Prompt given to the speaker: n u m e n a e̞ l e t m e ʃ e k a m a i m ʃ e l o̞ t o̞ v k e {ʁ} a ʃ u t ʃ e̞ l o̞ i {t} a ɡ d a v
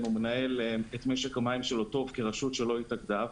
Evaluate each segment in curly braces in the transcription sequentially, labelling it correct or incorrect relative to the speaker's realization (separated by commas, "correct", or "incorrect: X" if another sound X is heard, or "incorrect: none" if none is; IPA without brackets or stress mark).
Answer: correct, correct